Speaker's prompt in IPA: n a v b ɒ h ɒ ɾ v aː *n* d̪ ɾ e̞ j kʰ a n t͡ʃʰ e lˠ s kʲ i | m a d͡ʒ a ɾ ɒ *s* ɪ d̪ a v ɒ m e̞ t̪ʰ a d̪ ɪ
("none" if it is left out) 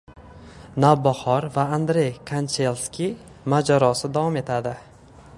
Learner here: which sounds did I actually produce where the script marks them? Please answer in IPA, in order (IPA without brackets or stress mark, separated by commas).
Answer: n, s